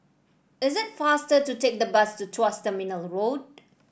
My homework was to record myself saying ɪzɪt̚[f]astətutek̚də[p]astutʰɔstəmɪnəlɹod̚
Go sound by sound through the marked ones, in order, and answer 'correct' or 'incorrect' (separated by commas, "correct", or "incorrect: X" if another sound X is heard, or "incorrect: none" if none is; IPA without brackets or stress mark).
correct, incorrect: b